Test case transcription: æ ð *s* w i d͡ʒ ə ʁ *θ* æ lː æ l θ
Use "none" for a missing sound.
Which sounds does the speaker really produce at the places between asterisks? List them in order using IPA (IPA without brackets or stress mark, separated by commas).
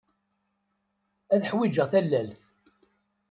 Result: ħ, θ